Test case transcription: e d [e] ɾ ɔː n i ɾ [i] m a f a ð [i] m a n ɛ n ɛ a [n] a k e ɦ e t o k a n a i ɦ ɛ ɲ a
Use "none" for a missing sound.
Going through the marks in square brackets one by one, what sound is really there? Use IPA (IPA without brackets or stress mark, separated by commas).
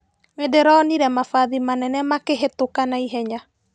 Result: e, ɛ, i, m